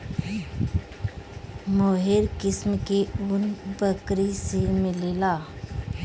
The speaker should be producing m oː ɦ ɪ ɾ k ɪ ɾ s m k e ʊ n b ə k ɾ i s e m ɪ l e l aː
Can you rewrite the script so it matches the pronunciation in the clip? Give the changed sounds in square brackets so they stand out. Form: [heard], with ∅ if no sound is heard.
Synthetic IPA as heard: m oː ɦ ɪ ɾ k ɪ [∅] s m k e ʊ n b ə k ɾ i s e m ɪ l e l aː